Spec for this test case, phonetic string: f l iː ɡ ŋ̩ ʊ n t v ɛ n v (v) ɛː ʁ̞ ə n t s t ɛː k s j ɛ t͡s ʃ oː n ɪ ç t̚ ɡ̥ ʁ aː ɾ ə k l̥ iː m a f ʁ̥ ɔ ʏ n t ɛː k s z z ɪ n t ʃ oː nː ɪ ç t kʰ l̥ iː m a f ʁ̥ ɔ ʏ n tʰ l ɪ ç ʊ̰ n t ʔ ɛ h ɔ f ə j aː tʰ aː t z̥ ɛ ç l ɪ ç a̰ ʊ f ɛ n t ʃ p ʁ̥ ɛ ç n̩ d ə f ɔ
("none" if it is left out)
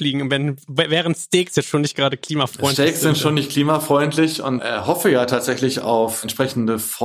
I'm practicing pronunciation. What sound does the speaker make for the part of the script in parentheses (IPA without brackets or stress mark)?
v